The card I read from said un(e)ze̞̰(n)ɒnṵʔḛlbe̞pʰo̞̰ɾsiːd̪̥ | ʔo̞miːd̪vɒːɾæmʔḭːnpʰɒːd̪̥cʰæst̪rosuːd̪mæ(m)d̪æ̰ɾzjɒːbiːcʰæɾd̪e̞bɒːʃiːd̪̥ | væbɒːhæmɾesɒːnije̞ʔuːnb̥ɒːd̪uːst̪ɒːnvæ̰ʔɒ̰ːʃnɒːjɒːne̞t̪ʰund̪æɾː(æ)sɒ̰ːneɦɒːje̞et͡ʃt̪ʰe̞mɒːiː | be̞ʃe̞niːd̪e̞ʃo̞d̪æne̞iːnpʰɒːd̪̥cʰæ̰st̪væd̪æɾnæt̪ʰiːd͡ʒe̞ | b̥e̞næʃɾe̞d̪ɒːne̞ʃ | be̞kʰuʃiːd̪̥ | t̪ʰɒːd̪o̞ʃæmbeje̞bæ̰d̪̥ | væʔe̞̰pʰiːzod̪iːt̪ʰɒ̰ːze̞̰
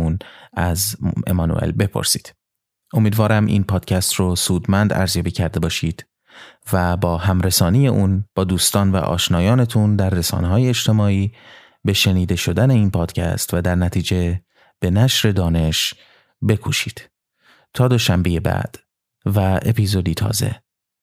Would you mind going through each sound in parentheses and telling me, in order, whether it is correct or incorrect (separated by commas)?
incorrect, incorrect, incorrect, incorrect